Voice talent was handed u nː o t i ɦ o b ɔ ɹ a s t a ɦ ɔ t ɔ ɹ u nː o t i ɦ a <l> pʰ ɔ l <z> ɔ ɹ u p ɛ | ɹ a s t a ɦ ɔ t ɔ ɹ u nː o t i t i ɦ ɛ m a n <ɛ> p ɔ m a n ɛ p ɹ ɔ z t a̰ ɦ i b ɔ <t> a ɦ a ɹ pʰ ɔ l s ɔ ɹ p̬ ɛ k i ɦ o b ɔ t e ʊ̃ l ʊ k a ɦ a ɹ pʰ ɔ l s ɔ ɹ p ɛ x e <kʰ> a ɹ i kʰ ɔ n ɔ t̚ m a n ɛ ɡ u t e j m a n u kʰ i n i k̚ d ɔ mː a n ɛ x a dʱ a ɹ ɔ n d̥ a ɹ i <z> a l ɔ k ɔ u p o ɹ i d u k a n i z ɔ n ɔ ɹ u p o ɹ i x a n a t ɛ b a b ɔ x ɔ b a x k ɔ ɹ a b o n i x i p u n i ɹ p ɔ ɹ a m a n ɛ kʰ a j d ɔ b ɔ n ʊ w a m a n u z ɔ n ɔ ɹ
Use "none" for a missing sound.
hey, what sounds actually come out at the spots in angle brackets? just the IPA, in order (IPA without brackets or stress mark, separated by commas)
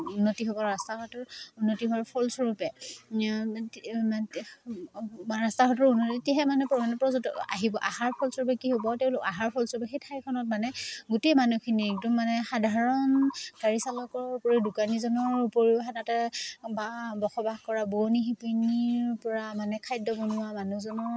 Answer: ɹ, s, ɛ, ʔ, tʰ, s